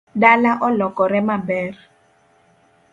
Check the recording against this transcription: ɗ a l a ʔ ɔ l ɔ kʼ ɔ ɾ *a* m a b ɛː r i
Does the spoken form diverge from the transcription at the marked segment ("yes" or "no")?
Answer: yes